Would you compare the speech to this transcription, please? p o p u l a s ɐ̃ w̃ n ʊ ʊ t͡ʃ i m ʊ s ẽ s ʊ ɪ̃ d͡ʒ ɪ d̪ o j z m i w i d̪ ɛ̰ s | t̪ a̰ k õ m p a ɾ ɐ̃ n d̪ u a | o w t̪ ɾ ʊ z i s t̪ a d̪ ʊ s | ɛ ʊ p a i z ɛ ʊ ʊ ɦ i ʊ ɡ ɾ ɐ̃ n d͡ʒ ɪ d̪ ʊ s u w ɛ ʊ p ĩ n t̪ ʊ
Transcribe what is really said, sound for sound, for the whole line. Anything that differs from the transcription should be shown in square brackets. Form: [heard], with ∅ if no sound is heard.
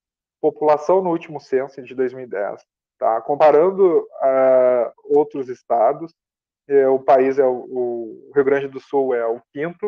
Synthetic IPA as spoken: p o p u l a s ɐ̃ w̃ n ʊ [u] t͡ʃ i m ʊ s ẽ s ʊ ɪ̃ d͡ʒ ɪ d̪ o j z m i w i d̪ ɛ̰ s | t̪ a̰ k õ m p a ɾ ɐ̃ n d̪ [ʊ] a | o w t̪ ɾ ʊ z [ɪ] s t̪ a d̪ ʊ s | ɛ ʊ p a i z ɛ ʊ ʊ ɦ i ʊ ɡ ɾ ɐ̃ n d͡ʒ ɪ d̪ ʊ s u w ɛ ʊ [k] ĩ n t̪ ʊ